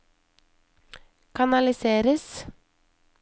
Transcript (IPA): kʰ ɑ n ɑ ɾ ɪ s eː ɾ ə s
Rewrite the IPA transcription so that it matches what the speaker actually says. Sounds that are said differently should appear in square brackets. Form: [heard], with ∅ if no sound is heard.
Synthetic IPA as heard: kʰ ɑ n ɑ [l] ɪ s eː ɾ ə s